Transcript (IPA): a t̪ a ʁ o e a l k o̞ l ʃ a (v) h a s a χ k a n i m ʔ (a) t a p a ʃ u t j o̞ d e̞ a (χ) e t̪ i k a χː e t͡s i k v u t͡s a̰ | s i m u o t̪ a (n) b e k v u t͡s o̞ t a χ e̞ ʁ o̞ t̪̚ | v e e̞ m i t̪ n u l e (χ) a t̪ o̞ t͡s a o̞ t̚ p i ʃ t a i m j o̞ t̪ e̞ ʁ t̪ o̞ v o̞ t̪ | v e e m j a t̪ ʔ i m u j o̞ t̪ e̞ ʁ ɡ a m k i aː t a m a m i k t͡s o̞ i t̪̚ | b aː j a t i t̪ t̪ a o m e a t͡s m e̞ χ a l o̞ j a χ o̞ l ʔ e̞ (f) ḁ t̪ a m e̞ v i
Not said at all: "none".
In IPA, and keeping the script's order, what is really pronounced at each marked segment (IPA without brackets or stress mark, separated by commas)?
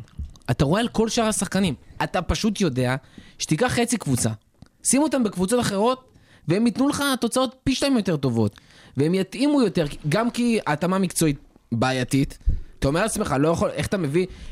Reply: ʁ, a, ʃ, m, χ, χ